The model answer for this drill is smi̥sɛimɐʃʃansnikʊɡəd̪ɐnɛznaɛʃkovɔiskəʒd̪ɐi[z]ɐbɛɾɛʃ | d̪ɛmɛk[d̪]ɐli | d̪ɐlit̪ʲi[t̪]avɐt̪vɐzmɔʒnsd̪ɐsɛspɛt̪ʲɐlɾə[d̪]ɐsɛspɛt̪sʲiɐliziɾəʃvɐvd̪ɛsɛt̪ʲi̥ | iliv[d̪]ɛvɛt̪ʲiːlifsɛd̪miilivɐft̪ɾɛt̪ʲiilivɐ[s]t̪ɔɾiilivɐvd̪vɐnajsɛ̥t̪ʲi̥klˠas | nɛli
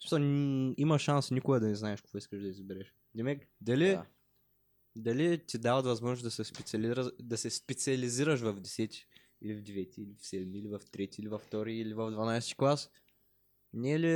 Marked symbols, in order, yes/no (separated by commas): yes, yes, no, yes, yes, no